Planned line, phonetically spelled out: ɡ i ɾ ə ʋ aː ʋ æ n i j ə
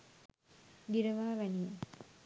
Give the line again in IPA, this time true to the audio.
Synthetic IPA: ɡ i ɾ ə ʋ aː ʋ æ n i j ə

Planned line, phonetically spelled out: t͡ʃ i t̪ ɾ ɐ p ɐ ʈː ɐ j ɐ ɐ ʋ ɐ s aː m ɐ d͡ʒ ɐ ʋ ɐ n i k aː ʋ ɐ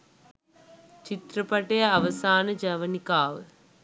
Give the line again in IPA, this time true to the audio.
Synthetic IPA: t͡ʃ i t̪ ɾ ɐ p ɐ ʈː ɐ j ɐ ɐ ʋ ɐ s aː n ɐ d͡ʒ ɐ ʋ ɐ n i k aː ʋ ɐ

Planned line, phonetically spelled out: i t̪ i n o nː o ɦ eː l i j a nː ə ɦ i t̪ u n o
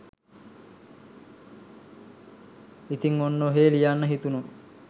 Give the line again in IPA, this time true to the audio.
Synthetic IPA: i t̪ i ŋ o nː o ɦ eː l i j a nː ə ɦ i t̪ u n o

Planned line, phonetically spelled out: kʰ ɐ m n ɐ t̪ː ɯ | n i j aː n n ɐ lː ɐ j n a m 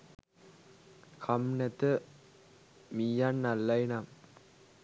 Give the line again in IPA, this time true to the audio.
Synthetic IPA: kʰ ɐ m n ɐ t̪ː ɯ | m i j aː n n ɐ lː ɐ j n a m

